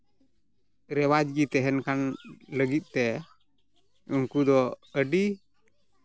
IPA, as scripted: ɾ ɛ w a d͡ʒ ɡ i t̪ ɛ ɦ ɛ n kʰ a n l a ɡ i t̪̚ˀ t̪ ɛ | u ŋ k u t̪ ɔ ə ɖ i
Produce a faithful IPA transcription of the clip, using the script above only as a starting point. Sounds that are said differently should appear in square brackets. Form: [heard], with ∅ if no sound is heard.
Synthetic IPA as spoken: ɾ ɛ w a d͡ʒ ɡ i t̪ ɛ ɦ ɛ n [k] a n l [ə] ɡ i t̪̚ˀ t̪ ɛ | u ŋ k u [d̪] ɔ ə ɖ i